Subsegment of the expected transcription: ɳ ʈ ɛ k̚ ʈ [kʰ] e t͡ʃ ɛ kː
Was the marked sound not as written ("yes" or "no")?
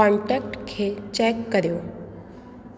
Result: no